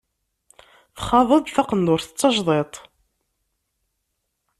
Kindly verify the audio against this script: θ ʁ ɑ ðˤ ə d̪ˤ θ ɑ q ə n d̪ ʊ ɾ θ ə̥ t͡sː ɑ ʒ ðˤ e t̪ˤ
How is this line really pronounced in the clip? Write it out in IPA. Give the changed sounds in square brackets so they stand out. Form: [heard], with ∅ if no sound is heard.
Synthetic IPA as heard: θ [χ] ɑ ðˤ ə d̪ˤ θ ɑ q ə n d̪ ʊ ɾ θ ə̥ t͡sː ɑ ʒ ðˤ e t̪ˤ

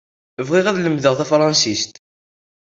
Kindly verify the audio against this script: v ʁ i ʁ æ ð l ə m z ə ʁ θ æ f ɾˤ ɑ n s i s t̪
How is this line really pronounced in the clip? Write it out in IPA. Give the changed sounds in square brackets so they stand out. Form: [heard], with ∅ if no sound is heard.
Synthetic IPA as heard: v ʁ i ʁ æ ð l ə m [ð] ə ʁ θ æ f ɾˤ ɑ n s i s t̪

